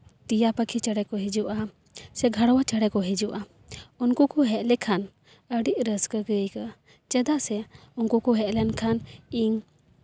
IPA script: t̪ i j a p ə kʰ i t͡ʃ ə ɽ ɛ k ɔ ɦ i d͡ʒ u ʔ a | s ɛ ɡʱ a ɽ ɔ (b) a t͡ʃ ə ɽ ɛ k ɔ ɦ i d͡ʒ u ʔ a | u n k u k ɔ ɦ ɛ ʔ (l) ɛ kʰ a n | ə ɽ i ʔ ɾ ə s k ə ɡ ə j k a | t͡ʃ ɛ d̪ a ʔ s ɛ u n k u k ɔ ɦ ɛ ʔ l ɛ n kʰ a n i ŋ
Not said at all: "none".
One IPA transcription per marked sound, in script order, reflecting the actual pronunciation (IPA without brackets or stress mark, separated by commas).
w, l